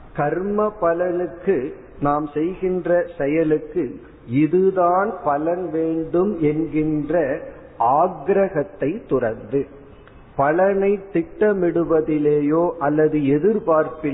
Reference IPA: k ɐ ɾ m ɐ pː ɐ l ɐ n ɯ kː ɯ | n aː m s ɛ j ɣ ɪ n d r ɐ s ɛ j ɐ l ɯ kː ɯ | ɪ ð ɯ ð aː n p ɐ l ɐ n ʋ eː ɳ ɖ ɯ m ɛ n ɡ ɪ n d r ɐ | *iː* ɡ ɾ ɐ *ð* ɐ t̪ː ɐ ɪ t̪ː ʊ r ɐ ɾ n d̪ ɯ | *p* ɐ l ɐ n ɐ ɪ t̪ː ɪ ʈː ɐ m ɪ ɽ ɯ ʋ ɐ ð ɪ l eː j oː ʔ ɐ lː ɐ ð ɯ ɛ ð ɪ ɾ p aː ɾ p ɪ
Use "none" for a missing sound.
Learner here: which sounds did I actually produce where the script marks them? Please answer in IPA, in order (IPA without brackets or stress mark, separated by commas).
aː, ɣ, p